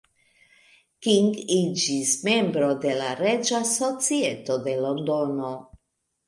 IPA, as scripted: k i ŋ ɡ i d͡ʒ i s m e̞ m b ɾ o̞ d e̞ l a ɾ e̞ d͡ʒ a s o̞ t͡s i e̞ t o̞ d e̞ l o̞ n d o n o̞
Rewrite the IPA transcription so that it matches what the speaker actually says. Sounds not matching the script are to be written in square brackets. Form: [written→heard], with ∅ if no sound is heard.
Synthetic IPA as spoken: k i ŋ ɡ i d͡ʒ i s m e̞ m b ɾ o̞ d e̞ l a ɾ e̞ d͡ʒ a s o̞ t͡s i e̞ t o̞ d e̞ l o̞ n d o n o̞